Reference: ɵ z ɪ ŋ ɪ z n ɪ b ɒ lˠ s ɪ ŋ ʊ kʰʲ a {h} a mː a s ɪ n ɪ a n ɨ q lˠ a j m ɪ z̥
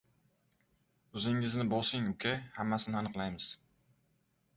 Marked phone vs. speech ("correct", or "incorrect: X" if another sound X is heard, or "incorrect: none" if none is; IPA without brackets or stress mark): correct